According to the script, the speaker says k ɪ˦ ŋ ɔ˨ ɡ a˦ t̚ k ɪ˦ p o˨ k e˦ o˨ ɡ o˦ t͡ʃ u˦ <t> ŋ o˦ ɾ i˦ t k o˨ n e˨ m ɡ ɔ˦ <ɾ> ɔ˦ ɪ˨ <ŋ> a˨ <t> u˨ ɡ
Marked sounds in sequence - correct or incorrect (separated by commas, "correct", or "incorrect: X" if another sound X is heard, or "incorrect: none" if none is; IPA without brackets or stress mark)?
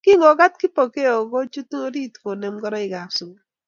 correct, correct, incorrect: ɡ, incorrect: s